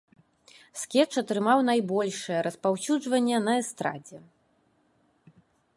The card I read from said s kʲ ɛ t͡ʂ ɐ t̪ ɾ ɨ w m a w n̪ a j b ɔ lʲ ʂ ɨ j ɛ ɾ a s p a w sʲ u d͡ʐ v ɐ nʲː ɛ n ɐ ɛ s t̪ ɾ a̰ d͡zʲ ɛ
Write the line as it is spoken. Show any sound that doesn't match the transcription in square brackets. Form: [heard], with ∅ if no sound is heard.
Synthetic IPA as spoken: s kʲ ɛ t͡ʂ ɐ t̪ ɾ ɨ [∅] m a w n̪ a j b ɔ lʲ ʂ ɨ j ɛ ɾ [ɐ] s p a w sʲ u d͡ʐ v ɐ nʲː ɛ n ɐ ɛ s t̪ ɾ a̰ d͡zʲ ɛ